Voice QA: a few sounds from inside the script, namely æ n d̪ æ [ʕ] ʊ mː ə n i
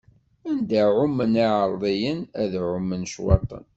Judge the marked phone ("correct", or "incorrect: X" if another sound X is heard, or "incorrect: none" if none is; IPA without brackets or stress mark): correct